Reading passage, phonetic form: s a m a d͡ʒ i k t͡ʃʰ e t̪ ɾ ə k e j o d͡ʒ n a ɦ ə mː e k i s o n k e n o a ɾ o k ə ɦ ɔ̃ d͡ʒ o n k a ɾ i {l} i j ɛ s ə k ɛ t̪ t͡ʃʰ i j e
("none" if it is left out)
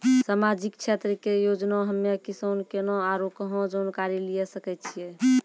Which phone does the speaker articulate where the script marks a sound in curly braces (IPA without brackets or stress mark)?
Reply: l